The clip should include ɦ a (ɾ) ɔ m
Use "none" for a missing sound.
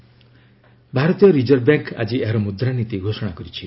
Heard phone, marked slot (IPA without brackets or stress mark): ɾ